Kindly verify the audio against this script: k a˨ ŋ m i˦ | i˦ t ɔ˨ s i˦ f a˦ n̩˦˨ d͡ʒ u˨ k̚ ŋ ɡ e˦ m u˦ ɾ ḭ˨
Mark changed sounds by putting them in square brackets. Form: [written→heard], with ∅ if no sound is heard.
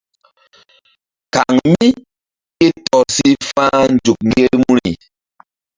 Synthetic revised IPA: k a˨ ŋ m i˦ | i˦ t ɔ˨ s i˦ f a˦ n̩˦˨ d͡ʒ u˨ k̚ ŋ ɡ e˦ m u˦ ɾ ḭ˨